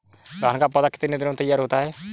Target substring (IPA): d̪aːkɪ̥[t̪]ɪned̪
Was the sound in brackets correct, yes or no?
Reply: yes